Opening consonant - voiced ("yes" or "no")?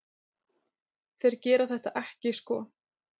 no